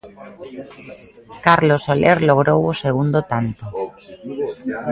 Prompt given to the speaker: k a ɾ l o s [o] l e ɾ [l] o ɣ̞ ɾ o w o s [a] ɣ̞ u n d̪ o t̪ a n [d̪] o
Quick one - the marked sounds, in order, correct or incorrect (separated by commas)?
correct, correct, incorrect, incorrect